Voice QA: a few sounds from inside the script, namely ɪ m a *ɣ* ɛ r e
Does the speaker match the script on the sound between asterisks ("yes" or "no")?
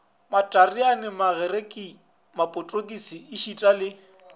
yes